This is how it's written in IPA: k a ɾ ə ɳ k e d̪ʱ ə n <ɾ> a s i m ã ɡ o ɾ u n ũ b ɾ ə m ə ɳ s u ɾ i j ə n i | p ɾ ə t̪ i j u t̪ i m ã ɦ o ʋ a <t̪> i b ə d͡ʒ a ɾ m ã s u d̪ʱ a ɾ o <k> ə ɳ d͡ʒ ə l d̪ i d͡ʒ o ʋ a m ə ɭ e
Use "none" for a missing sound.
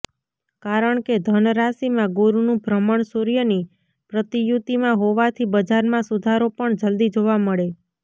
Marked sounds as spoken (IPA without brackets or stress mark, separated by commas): ɾ, t̪ʰ, p